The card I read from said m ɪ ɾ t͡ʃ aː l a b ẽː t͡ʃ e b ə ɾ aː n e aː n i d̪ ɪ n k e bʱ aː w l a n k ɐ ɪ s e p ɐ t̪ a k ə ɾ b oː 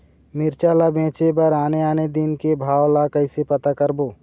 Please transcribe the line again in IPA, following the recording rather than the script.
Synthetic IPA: m ɪ ɾ t͡ʃ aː l a b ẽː t͡ʃ e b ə ɾ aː n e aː n e d̪ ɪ n k e bʱ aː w l a k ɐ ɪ s e p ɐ t̪ a k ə ɾ b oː